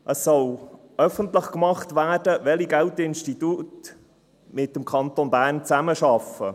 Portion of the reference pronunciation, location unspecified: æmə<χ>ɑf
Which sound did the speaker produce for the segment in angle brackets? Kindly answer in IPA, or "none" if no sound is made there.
ʃ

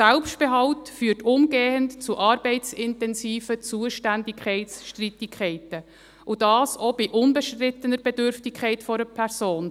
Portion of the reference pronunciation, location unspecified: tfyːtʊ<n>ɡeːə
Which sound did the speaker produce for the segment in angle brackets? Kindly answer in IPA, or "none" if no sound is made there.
m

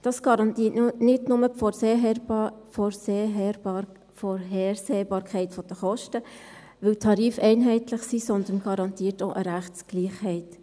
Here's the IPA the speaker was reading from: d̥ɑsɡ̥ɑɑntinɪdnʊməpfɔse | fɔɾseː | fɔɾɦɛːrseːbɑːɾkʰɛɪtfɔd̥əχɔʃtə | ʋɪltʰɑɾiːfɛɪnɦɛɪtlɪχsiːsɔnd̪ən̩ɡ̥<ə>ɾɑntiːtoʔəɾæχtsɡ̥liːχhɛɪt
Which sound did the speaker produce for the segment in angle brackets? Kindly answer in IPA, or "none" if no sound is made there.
ɑ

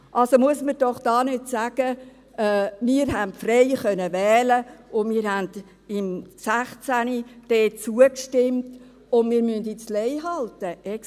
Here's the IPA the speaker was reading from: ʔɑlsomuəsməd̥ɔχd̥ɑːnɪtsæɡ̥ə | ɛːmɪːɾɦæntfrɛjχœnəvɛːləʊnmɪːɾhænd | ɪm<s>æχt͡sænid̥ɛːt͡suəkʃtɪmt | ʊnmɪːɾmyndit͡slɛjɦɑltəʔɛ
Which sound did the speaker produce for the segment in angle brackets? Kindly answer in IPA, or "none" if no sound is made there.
s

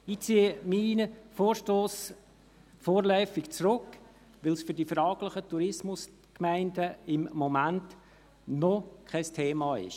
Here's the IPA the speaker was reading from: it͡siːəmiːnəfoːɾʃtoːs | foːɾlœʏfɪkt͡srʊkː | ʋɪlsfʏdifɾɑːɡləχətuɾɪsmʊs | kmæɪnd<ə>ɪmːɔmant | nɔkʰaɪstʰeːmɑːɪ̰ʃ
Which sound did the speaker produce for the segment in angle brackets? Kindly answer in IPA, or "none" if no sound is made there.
ə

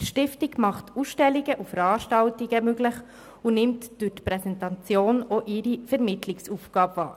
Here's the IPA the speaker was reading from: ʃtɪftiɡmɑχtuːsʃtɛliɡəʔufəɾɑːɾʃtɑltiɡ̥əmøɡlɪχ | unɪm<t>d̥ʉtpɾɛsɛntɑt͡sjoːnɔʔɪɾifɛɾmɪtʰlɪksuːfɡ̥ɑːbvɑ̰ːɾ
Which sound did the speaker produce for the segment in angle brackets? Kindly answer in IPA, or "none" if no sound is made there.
t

